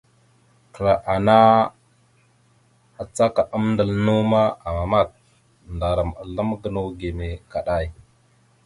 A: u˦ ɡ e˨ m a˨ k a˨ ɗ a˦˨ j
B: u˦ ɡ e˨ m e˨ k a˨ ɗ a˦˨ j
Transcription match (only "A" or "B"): B